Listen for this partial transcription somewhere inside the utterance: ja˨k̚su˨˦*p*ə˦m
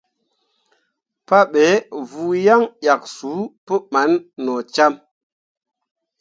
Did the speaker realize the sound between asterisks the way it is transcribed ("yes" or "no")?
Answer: yes